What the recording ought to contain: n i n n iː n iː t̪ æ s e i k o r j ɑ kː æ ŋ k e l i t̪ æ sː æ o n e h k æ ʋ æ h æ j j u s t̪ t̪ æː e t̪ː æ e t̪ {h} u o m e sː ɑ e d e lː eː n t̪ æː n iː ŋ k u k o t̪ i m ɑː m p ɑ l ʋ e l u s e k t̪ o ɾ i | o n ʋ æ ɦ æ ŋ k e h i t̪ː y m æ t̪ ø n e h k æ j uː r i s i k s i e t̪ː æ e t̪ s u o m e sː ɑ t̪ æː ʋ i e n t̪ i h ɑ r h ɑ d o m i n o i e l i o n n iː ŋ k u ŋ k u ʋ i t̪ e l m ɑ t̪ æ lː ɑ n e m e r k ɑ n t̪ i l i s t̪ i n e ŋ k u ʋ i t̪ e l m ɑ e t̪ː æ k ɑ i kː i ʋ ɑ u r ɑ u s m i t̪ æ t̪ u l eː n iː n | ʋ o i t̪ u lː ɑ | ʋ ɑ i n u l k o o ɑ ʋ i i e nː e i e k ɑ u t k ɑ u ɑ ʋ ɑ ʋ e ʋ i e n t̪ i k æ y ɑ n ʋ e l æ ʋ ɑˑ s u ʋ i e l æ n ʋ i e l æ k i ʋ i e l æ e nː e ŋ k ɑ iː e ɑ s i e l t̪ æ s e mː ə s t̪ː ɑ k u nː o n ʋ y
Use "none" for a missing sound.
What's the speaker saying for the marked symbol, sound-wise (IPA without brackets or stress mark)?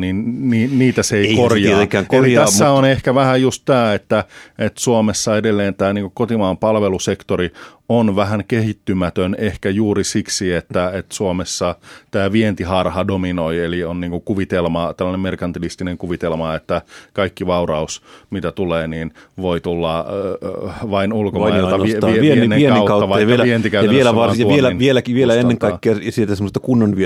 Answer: s